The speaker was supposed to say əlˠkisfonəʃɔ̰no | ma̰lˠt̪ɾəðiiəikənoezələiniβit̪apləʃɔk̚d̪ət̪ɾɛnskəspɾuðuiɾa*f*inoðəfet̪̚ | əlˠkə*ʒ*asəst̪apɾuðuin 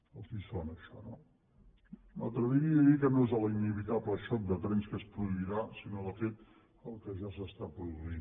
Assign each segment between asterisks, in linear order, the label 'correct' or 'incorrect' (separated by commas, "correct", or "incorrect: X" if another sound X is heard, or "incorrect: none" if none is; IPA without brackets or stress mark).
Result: incorrect: s, correct